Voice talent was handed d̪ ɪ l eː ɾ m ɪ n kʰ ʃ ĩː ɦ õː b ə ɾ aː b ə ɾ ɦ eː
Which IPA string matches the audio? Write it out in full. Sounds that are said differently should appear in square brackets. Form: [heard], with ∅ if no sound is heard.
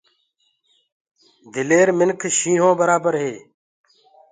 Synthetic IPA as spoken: d̪ ɪ l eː ɾ m ɪ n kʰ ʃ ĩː ɦ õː b ə ɾ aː b ə ɾ ɦ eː